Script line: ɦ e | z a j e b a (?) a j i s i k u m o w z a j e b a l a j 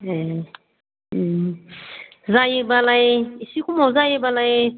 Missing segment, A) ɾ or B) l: B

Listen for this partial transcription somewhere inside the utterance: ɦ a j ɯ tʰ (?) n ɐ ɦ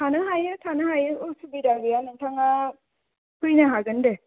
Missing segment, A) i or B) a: B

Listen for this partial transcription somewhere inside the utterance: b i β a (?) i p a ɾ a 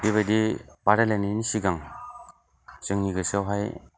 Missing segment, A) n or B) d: B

